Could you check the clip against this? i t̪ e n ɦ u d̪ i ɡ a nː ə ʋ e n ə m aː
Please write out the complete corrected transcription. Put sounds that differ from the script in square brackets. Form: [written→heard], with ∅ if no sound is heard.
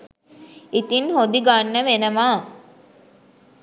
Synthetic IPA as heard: i t̪ [e→i] n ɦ [u→o] d̪ i ɡ a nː ə ʋ e n ə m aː